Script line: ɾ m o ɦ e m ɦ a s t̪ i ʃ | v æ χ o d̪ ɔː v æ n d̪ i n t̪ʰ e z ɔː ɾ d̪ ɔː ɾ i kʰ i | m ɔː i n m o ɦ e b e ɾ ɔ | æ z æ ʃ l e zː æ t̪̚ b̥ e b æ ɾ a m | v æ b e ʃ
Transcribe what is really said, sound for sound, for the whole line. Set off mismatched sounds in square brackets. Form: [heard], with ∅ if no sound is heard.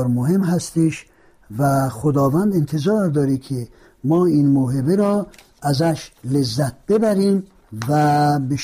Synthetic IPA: ɾ m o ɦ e m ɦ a s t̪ i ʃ | v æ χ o d̪ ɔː v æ n d̪ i n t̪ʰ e z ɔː ɾ d̪ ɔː ɾ i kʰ i | m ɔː i n m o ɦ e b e ɾ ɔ | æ z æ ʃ l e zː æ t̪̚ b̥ e b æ ɾ [i] m | v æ b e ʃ